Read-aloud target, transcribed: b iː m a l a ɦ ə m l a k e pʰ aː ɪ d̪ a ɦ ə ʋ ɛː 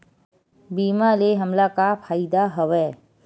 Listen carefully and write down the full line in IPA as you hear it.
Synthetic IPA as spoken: b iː m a l e ɦ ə m l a k a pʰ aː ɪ d̪ a ɦ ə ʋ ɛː